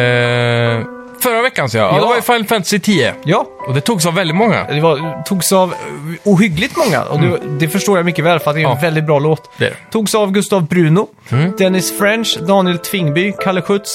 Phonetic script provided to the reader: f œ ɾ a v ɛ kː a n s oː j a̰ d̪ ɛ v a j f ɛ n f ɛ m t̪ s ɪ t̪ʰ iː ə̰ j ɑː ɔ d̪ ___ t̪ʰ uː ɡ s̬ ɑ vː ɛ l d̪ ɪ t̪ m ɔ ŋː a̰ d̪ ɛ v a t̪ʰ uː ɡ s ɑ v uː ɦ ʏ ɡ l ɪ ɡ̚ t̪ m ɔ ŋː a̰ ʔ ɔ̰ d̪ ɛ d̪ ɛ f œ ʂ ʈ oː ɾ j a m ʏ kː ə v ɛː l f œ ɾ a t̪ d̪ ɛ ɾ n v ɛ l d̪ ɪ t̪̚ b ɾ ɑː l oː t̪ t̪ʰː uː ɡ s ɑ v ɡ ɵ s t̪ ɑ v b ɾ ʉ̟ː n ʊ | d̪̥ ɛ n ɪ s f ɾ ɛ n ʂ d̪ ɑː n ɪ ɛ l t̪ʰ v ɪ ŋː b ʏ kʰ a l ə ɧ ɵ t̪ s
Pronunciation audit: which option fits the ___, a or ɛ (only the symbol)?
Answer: ɛ